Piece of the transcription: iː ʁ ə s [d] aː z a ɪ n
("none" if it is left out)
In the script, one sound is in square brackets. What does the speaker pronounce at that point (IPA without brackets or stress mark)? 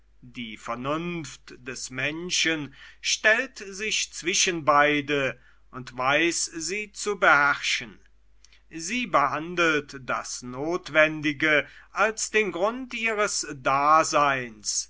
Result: d